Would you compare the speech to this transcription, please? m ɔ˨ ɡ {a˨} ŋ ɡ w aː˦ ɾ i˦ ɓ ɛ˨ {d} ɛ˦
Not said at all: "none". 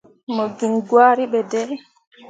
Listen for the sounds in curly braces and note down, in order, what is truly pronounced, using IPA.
i˨, d

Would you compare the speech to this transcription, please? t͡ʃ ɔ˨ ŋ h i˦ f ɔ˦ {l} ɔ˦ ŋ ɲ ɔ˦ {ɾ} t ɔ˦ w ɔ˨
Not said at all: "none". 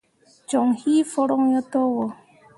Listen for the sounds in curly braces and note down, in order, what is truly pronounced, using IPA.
ɾ, none

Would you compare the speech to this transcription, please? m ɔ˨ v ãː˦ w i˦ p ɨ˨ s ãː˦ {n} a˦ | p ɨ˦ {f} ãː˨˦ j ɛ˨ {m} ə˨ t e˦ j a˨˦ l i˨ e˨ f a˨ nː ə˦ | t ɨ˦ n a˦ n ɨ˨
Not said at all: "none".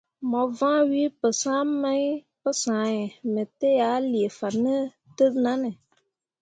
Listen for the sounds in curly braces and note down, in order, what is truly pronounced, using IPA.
m, s, m

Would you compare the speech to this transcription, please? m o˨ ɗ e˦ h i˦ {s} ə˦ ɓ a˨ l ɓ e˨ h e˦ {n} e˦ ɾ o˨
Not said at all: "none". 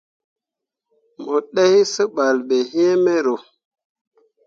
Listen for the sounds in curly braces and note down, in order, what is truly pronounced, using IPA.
s, m

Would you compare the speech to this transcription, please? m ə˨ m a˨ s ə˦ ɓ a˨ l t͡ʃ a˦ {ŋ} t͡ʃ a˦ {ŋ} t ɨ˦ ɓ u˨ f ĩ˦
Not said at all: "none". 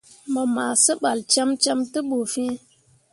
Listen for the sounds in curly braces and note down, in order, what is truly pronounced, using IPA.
m, m

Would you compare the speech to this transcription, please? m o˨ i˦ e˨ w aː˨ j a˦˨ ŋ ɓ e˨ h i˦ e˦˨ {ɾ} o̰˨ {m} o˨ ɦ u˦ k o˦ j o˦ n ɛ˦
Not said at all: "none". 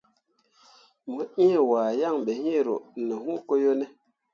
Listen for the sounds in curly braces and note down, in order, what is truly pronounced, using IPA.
ɾ, n

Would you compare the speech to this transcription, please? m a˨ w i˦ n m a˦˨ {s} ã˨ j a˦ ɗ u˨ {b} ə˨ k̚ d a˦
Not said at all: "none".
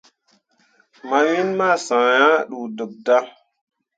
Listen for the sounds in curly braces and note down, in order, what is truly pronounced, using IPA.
s, d

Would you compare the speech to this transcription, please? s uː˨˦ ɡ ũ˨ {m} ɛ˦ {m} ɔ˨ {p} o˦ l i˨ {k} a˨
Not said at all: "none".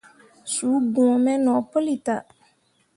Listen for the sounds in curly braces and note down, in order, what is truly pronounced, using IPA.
m, n, p, t

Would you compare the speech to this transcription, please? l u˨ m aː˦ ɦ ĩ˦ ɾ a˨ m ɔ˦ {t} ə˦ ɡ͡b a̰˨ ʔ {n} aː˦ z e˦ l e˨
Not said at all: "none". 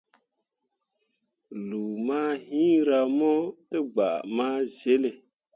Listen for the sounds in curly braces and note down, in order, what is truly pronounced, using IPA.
t, m

